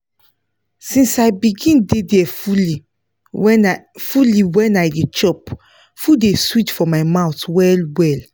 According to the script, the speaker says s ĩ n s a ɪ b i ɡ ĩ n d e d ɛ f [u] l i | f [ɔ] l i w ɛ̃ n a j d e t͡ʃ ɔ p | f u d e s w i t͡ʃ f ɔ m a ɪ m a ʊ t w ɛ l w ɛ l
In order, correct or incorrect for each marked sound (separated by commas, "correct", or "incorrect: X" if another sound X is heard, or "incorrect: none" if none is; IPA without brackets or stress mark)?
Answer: correct, incorrect: u